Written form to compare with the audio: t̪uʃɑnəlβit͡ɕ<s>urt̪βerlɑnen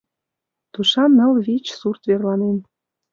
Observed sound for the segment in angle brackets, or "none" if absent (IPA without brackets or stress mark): s